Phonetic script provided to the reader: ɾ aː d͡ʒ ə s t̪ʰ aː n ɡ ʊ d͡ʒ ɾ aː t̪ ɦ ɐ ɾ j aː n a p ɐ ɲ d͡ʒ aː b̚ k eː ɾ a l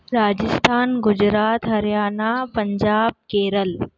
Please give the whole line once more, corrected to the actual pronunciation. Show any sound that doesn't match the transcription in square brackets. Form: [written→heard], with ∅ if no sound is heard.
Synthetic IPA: ɾ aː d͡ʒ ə s t̪ʰ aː n ɡ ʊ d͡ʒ ɾ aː t̪ ɦ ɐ ɾ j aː n a p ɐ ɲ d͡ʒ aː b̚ k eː ɾ [a→ə] l

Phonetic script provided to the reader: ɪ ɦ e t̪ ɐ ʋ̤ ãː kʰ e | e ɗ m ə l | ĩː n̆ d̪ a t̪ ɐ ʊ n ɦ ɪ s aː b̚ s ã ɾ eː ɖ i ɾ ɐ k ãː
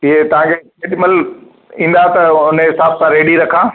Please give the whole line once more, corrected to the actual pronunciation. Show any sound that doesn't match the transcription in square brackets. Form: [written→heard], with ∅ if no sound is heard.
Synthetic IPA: ɪ ɦ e t̪ ɐ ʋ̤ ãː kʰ e | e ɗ m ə l | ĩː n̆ d̪ a t̪ ɐ ʊ n ɦ ɪ s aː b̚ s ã ɾ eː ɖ i ɾ ɐ [k→kʰ] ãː

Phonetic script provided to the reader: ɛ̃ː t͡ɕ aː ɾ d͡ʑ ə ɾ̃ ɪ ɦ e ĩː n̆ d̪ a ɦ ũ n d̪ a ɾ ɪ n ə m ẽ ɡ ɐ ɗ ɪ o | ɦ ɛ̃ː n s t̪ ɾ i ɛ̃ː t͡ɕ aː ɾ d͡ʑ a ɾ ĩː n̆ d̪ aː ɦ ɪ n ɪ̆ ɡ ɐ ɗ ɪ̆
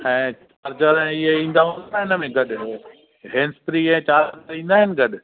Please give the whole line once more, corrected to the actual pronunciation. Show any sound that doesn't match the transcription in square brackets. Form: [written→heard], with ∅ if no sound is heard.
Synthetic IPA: ɛ̃ː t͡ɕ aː ɾ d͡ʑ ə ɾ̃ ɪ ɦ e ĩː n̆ d̪ a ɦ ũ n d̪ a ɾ ɪ n ə m ẽ ɡ ɐ ɗ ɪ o | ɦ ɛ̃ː n s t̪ ɾ i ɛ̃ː t͡ɕ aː ɾ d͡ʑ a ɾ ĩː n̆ d̪ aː ɦ ɪ n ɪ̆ ɡ ɐ ɗ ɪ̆

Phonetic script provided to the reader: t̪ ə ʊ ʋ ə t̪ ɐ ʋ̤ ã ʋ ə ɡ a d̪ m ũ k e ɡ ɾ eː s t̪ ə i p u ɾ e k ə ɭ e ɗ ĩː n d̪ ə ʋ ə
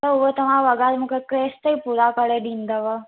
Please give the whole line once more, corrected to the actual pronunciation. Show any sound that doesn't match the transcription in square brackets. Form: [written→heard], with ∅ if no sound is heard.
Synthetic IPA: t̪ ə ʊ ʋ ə t̪ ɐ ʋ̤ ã ʋ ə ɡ a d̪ m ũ k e [ɡ→k] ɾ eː s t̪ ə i p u ɾ [e→a] k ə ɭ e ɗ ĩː n d̪ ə ʋ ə

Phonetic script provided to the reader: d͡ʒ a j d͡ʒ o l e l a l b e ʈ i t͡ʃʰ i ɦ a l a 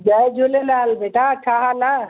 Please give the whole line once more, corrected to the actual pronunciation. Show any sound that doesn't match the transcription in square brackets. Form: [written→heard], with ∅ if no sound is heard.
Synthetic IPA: d͡ʒ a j d͡ʒ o l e l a l b e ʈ [i→a] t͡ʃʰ [i→a] ɦ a l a

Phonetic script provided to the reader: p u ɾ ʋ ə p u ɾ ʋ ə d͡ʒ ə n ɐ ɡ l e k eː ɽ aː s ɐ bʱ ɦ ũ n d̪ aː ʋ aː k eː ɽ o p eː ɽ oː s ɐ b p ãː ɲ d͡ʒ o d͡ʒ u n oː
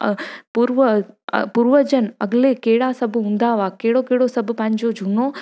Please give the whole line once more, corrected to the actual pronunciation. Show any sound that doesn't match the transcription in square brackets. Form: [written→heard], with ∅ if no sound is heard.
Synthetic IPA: p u ɾ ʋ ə p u ɾ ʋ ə d͡ʒ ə n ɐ ɡ l e k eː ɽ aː s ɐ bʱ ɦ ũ n d̪ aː ʋ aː k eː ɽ o [p→k] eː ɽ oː s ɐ b p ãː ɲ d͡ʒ o d͡ʒ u n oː

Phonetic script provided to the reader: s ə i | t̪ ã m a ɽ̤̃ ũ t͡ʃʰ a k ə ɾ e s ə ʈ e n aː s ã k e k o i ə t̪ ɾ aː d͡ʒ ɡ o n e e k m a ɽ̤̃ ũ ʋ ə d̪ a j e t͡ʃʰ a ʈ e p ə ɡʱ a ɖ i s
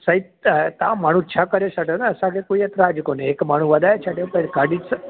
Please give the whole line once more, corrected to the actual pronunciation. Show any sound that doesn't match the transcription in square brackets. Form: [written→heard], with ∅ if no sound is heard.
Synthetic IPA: s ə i | t̪ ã m a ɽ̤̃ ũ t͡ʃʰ a k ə ɾ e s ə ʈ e n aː s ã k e k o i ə t̪ ɾ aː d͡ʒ [ɡ→k] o n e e k m a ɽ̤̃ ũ ʋ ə d̪ a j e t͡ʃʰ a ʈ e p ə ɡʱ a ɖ i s

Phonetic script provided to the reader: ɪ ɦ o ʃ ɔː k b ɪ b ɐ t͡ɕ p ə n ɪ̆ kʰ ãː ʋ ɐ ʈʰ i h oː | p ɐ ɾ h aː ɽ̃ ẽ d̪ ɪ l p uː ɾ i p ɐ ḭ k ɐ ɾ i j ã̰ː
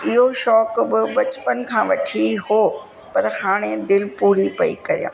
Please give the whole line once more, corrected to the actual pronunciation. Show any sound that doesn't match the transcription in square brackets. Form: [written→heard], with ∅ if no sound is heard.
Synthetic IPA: ɪ ɦ o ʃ ɔː k b ɪ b ɐ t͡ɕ p ə n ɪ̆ kʰ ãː ʋ ɐ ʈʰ i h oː | p ɐ ɾ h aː ɽ̃ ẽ d̪ ɪ l p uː ɾ i p ɐ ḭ k ɐ ɾ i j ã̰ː

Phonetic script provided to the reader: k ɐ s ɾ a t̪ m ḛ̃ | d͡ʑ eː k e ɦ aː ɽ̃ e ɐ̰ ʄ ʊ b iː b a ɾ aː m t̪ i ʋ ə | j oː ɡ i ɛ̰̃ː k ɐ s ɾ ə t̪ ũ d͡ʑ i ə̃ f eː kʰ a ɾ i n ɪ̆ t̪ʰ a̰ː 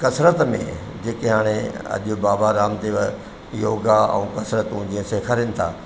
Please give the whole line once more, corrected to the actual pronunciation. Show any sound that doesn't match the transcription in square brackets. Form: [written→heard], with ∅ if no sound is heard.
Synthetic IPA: k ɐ s ɾ [a→ə] t̪ m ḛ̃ | d͡ʑ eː k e ɦ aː ɽ̃ e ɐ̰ ʄ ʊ b [iː→aː] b a ɾ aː m t̪ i ʋ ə | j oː ɡ [i→a] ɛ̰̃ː k ɐ s ɾ ə t̪ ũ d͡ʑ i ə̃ [f→s] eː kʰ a ɾ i n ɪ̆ t̪ʰ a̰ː

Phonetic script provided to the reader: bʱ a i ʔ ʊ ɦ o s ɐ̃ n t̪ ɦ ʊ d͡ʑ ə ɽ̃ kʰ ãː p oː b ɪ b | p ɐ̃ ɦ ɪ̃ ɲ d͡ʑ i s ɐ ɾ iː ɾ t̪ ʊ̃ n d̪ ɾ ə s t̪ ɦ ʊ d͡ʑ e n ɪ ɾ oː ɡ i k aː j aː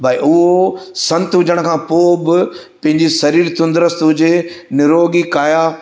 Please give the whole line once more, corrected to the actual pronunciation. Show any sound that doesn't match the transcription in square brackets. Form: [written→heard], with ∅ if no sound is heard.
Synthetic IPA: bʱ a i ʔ ʊ ɦ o s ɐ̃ n t̪ ɦ ʊ d͡ʑ ə ɽ̃ kʰ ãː p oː b ɪ [b→∅] | p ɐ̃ ɦ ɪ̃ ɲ d͡ʑ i s ɐ ɾ iː ɾ t̪ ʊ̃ n d̪ ɾ ə s t̪ ɦ ʊ d͡ʑ e n ɪ ɾ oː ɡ i k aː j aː

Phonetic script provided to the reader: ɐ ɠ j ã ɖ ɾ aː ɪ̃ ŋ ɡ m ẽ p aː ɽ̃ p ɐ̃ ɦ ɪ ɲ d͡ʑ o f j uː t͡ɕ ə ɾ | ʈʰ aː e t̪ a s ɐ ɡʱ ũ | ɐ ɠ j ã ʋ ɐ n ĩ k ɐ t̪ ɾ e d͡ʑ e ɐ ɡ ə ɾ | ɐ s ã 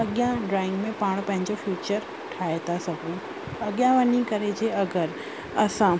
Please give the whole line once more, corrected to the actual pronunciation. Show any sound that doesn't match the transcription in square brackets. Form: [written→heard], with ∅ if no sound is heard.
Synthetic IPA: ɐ ɠ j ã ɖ ɾ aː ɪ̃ ŋ ɡ m ẽ p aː ɽ̃ p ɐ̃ ɦ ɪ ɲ d͡ʑ o f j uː t͡ɕ ə ɾ | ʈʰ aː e t̪ a s ɐ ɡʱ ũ | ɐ ɠ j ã ʋ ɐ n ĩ k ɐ [t̪→∅] ɾ e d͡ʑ e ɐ ɡ ə ɾ | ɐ s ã

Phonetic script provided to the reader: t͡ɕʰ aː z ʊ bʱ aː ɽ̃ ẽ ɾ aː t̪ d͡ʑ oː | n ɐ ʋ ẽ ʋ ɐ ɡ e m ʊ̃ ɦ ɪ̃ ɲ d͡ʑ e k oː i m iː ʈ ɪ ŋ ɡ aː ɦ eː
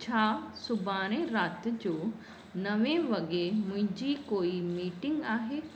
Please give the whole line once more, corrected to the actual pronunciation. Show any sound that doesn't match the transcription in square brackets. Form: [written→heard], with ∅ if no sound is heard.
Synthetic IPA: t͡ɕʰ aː [z→s] ʊ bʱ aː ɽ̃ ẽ ɾ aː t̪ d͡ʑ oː | n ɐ ʋ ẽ ʋ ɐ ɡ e m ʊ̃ ɦ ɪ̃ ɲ d͡ʑ [e→i] k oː i m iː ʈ ɪ ŋ ɡ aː ɦ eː

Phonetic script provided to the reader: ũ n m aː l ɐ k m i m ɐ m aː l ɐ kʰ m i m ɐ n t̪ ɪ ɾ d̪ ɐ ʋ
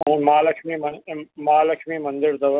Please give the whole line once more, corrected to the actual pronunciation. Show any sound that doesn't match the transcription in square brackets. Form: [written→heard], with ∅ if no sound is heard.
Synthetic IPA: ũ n m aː l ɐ k m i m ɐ m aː l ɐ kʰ m i m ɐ n [t̪→d̪] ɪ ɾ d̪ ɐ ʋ

